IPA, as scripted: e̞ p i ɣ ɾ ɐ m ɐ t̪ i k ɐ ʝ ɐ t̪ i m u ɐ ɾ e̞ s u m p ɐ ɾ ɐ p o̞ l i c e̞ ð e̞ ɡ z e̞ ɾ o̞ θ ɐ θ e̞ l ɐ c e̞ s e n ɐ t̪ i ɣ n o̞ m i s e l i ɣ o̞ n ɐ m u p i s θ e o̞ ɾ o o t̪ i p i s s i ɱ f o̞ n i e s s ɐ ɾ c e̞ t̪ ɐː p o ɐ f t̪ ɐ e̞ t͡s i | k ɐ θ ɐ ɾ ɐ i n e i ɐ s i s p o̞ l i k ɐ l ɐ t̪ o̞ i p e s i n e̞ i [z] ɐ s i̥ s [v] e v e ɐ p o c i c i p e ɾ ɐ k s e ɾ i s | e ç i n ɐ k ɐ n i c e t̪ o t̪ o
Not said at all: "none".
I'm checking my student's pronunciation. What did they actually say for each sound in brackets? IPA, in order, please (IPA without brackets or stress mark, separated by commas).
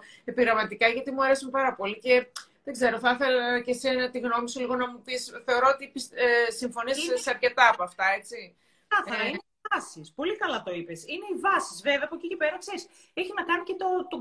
v, v